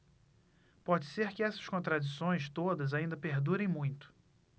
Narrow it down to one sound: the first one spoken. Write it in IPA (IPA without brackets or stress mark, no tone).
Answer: p